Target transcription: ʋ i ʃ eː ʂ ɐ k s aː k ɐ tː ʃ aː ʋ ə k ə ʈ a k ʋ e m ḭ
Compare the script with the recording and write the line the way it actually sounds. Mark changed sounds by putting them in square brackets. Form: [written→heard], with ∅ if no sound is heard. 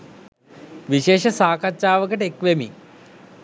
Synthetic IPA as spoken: ʋ i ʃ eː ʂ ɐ [k→∅] s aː k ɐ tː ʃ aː ʋ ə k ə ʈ [a→e] k ʋ e m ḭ